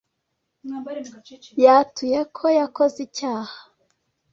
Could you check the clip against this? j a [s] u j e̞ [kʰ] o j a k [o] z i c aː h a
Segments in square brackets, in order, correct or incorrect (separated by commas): incorrect, correct, correct